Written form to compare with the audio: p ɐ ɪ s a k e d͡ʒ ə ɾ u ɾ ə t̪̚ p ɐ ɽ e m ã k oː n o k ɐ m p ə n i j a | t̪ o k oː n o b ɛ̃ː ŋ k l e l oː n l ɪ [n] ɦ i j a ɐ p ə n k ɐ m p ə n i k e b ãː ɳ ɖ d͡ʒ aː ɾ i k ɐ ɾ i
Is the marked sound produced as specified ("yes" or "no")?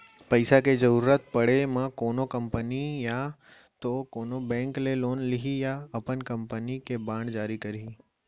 no